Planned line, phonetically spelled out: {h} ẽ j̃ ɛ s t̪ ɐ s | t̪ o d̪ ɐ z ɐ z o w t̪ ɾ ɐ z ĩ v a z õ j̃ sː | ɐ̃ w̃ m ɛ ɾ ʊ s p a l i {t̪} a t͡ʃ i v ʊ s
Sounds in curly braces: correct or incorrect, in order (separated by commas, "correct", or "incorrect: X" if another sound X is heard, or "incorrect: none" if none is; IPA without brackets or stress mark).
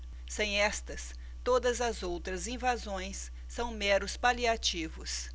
incorrect: s, incorrect: none